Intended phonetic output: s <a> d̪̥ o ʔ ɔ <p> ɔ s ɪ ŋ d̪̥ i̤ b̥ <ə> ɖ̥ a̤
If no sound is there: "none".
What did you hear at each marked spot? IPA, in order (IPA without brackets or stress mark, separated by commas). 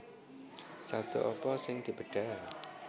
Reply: a, p, ə